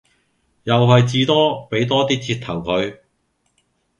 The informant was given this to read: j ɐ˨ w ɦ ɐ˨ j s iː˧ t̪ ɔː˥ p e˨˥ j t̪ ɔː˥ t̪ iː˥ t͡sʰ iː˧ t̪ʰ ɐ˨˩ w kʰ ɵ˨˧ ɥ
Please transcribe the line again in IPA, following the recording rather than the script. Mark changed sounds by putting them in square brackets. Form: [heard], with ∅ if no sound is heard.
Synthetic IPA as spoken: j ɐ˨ w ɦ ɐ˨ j [t͡s] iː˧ t̪ ɔː˥ p e˨˥ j t̪ ɔː˥ t̪ iː˥ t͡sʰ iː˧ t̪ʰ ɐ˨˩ w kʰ ɵ˨˧ ɥ